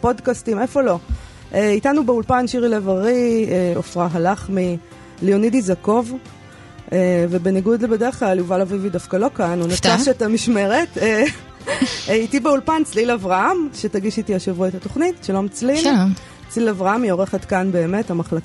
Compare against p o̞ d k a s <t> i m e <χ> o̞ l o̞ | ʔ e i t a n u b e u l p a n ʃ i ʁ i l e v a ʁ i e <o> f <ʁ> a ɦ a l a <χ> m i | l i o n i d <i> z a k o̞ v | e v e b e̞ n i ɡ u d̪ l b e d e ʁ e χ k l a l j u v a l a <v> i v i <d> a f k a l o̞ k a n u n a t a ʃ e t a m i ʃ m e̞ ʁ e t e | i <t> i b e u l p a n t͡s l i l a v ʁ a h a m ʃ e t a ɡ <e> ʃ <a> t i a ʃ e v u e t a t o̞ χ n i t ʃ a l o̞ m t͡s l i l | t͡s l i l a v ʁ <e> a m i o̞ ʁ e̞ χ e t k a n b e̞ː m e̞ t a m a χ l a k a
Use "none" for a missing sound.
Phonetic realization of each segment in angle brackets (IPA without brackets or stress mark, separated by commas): t, f, o, ʁ, χ, i, v, d, t, i, i, a